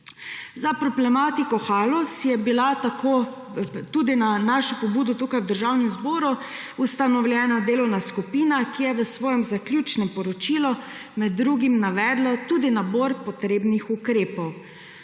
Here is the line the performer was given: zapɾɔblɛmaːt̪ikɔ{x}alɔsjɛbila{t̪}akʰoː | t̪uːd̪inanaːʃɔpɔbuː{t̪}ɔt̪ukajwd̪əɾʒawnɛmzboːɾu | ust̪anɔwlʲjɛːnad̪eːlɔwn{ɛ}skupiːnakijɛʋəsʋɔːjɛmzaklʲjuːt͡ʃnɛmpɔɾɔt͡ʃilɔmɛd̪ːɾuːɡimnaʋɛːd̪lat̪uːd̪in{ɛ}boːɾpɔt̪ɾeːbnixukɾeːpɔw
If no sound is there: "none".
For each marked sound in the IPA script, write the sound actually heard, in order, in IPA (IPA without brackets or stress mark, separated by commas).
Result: x, t̪, d̪, a, a